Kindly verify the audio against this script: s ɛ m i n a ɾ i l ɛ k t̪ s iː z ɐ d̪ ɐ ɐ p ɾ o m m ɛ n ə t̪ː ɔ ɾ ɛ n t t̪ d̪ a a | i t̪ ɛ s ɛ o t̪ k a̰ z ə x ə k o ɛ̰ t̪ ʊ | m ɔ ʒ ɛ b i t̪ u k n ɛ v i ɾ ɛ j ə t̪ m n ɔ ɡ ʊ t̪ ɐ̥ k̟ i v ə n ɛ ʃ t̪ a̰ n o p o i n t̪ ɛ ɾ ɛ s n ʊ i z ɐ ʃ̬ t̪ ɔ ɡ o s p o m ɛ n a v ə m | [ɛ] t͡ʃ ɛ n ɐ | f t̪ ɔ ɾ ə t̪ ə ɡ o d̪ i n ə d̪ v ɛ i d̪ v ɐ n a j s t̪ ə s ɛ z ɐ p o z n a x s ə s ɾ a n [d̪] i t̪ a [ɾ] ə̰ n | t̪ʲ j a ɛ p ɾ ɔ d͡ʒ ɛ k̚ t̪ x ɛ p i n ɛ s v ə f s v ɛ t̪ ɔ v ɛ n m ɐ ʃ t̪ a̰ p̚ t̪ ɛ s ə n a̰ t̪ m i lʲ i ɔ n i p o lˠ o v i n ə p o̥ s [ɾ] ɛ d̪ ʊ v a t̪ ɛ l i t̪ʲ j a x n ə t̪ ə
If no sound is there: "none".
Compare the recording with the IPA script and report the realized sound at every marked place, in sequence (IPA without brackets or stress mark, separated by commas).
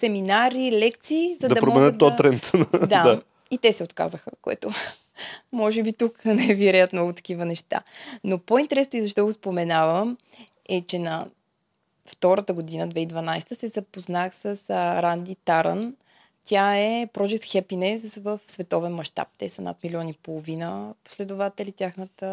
ɛ, d̪, ɾ, l